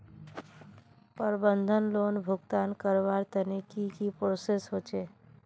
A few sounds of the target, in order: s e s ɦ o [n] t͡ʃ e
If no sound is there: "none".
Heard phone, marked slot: none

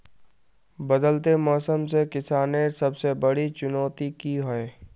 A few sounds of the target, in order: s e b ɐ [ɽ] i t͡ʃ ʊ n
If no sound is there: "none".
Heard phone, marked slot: ɽ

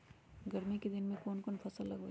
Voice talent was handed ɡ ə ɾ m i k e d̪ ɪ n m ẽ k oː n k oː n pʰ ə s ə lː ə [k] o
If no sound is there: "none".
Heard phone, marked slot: ɡ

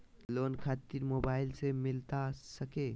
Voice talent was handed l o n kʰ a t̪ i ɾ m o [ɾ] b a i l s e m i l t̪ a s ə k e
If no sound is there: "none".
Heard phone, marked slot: none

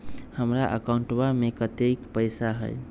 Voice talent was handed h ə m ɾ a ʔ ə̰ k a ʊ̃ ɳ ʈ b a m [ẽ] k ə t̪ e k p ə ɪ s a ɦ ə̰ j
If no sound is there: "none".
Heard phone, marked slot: e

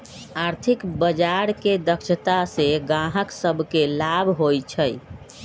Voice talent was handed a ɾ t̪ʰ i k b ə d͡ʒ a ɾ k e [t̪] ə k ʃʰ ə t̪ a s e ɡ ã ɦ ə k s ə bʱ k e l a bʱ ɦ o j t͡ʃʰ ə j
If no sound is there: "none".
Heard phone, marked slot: d̪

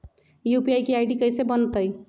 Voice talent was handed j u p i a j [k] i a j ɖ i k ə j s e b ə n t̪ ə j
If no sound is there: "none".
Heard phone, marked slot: k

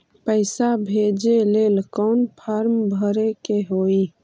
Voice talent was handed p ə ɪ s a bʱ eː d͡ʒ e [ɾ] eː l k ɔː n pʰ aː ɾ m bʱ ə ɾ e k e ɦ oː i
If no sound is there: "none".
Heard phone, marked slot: l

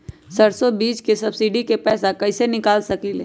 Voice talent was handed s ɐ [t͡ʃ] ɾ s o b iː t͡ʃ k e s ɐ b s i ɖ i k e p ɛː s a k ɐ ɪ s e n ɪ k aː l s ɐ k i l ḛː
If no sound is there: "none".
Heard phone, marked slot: none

